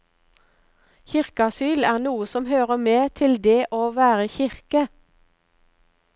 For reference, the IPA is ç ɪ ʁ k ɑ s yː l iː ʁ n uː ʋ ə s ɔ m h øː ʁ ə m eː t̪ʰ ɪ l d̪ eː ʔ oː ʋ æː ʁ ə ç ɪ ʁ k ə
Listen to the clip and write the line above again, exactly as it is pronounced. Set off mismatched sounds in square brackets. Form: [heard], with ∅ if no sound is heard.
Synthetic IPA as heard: ç ɪ ʁ k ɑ s yː l [æː] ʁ n uː [∅] ə s ɔ m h øː ʁ ə m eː t̪ʰ ɪ l d̪ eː ʔ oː ʋ æː ʁ ə ç ɪ ʁ k ə